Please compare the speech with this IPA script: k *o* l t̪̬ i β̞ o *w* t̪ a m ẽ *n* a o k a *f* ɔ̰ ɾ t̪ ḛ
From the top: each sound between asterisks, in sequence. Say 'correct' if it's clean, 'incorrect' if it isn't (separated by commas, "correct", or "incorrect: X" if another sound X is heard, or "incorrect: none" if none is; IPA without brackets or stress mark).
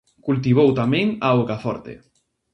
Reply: incorrect: u, correct, incorrect: ŋ, correct